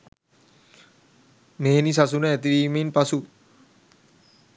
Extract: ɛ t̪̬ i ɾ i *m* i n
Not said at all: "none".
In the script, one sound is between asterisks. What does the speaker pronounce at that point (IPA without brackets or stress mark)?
m